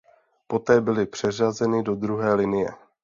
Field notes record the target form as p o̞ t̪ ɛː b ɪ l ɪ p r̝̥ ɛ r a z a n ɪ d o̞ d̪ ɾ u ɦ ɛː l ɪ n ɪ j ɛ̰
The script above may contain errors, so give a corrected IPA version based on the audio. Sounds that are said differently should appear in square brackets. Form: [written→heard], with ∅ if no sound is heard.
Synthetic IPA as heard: p o̞ t̪ ɛː b ɪ l ɪ p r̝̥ ɛ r a z [a→ɛ] n ɪ d o̞ d̪ ɾ u ɦ ɛː l ɪ n ɪ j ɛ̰